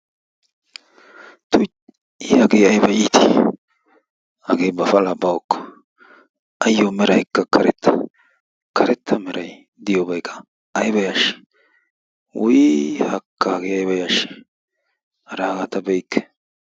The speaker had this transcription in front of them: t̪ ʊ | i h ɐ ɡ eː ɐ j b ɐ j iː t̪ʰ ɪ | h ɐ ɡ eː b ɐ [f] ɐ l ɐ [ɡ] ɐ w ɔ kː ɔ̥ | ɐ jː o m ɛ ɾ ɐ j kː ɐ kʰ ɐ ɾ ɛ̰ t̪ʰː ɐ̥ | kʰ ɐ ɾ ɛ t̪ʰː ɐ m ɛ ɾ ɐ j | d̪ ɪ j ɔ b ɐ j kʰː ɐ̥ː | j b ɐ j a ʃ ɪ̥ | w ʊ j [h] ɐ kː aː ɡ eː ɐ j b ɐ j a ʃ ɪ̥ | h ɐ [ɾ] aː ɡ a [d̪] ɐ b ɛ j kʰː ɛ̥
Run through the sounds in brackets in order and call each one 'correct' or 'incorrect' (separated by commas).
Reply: correct, incorrect, correct, correct, incorrect